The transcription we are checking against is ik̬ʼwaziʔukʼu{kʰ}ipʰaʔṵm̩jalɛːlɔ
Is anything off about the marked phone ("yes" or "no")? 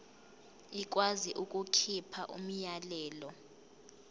no